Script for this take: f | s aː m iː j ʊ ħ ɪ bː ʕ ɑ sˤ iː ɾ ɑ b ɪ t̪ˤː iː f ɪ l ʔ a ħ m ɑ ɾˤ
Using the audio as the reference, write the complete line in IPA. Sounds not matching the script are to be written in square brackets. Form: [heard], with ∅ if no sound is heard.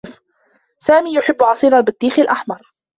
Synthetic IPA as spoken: f | s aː m iː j ʊ ħ ɪ bː ʕ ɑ sˤ iː ɾ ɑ b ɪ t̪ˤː iː [x] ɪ l ʔ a ħ m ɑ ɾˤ